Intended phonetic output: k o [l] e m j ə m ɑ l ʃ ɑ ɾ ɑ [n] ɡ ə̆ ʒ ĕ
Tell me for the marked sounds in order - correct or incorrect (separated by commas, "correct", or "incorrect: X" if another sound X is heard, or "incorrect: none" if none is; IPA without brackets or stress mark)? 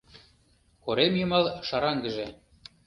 incorrect: ɾ, incorrect: ŋ